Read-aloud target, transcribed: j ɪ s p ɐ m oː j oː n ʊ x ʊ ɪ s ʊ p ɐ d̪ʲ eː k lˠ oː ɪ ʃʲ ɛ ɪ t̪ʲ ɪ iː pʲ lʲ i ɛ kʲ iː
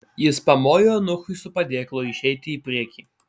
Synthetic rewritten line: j ɪ s p ɐ m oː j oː n ʊ x ʊ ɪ s ʊ p ɐ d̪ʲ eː k lˠ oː ɪ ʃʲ ɛ ɪ t̪ʲ ɪ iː pʲ ɾʲ i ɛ kʲ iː